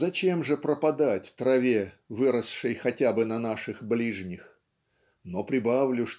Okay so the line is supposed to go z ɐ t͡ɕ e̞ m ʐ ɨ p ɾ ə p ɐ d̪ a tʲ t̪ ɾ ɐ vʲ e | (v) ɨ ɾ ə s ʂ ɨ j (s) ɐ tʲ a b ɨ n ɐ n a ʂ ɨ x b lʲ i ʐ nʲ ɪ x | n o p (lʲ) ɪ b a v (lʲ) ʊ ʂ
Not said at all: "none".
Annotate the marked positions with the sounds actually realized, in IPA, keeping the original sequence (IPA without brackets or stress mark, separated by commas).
v, x, ɾʲ, lʲ